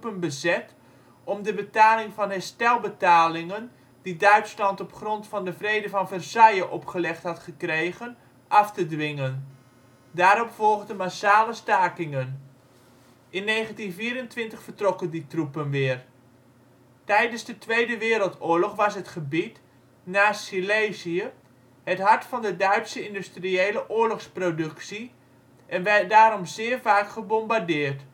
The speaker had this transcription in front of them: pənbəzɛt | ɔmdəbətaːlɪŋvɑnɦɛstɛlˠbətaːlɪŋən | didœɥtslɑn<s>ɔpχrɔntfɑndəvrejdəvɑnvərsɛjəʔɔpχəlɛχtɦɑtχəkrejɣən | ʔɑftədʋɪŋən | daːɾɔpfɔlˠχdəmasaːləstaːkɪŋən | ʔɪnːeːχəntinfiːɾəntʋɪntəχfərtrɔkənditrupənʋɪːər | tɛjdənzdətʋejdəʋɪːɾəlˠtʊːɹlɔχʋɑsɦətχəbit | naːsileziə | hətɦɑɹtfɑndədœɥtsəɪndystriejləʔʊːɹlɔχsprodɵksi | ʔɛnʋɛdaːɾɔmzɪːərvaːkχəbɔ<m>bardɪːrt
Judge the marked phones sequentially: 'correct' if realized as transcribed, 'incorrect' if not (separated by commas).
incorrect, correct